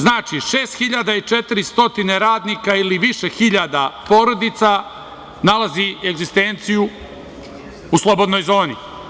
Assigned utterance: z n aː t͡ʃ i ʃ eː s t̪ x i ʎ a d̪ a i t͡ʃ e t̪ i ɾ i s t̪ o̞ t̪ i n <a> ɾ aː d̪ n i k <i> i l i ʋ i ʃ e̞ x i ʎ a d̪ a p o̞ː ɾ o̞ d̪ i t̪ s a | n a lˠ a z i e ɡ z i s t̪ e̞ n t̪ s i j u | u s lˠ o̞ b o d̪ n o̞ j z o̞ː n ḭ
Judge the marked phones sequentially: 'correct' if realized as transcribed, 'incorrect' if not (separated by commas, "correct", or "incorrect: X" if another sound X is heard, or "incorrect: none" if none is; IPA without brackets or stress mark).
incorrect: e, incorrect: a